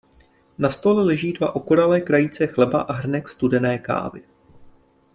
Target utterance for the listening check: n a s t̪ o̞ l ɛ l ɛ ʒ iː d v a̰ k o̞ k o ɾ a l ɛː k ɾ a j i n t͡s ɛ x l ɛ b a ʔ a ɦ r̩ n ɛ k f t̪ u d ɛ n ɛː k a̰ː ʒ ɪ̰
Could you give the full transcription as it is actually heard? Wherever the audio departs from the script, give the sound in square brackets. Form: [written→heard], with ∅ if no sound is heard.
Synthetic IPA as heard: n a s t̪ o̞ l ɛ l ɛ ʒ iː d v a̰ [k→ʔ] o̞ k o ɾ a l ɛː k ɾ a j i [n→∅] t͡s ɛ x l ɛ b a ʔ a ɦ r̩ n ɛ k [f→s] t̪ u d ɛ n ɛː k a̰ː [ʒ→v] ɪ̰